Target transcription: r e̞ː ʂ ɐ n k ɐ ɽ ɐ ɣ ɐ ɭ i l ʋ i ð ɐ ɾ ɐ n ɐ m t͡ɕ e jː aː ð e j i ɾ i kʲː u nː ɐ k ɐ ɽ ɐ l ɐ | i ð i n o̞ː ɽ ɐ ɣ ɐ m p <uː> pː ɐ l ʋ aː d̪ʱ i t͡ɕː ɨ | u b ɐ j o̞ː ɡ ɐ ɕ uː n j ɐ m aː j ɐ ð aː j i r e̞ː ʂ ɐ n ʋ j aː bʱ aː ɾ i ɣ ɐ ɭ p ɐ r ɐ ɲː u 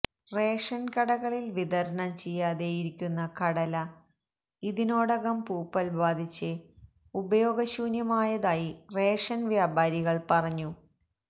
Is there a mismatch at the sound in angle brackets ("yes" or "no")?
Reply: no